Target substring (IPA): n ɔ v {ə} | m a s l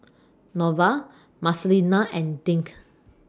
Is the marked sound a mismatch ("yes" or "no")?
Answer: yes